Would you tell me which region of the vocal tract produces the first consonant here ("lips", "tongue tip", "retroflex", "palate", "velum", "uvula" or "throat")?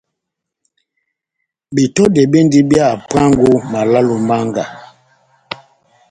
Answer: lips